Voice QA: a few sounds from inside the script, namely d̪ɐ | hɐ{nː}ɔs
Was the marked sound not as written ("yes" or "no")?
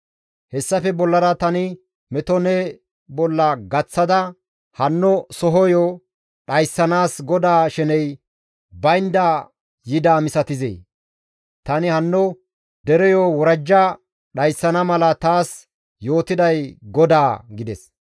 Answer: no